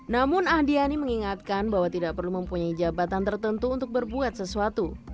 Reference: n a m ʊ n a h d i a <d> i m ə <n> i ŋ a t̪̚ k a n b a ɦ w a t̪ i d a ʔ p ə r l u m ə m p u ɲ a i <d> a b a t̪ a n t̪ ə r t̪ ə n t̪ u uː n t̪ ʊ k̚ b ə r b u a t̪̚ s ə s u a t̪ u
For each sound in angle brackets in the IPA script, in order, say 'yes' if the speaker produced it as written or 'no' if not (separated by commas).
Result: no, no, no